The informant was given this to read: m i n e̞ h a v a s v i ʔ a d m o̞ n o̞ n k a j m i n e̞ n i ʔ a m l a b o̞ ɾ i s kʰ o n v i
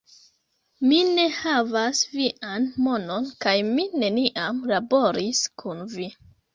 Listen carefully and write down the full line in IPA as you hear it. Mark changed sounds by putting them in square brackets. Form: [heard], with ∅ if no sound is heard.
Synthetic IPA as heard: m i n e̞ h a v a s v i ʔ a [n] m o̞ n o̞ n k a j m i n e̞ n i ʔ a m l a b o̞ ɾ i s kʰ [u] n v i